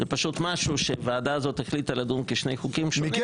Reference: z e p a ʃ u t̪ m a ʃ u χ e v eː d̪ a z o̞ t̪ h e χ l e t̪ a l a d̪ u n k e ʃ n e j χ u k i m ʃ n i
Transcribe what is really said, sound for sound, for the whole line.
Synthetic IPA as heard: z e p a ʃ u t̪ m a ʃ u ʃ e v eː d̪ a z o̞ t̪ h e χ l i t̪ a l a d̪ u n k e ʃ n e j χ u k i m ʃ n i